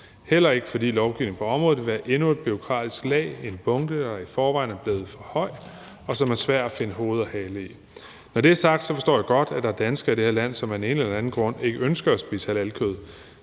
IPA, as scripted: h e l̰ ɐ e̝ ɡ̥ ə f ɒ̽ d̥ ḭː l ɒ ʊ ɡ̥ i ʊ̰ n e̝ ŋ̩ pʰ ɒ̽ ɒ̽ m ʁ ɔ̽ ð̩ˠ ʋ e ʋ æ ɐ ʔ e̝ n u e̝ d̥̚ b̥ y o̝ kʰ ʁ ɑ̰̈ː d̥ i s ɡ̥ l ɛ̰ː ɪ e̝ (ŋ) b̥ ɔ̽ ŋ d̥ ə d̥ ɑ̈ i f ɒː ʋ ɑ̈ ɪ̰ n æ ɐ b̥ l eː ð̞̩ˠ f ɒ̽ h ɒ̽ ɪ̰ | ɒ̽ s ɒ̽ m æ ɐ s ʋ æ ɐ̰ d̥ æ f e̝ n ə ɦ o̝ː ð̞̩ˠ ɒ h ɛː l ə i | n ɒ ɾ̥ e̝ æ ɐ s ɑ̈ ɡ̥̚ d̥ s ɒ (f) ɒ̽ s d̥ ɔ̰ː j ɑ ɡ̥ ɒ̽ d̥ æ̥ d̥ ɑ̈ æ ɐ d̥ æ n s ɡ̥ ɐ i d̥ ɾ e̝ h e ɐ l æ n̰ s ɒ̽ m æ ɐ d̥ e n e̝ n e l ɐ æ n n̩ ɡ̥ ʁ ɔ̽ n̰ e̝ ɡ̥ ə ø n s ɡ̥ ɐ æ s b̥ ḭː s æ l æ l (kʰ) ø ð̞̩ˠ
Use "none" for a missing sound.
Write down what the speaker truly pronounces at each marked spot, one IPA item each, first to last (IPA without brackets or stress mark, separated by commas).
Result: n, f, kʰ